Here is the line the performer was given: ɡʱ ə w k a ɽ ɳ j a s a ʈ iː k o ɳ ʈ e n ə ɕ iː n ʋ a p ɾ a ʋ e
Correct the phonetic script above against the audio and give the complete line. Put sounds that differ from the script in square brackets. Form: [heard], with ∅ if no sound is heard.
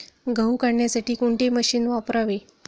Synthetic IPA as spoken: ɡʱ ə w k a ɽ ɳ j a s a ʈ iː k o ɳ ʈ e [m] ə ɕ iː n ʋ a p ɾ a ʋ e